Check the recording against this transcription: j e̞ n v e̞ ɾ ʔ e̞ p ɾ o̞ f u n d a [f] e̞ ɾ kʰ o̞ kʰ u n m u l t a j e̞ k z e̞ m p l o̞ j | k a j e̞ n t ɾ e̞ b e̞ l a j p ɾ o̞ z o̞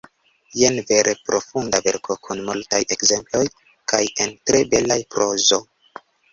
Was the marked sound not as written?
yes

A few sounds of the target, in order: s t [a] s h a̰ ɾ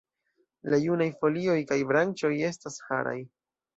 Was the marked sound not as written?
no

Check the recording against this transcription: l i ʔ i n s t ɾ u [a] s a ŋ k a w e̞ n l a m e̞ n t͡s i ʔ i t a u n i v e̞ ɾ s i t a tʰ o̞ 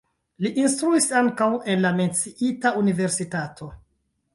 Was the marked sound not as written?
yes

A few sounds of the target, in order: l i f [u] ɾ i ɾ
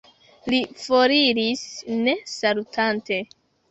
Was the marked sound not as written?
yes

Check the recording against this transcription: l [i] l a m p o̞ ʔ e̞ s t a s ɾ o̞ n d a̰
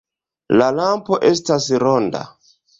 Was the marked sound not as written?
yes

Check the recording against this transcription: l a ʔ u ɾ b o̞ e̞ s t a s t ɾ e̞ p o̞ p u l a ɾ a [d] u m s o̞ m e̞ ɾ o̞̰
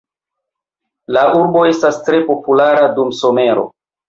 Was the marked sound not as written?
no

